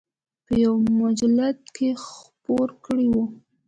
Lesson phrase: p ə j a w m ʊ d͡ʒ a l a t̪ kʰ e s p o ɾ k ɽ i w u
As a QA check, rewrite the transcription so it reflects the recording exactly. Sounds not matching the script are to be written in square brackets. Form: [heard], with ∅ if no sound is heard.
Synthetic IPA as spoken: p ə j a w m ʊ d͡ʒ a l a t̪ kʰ e [x] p o ɾ k ɽ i w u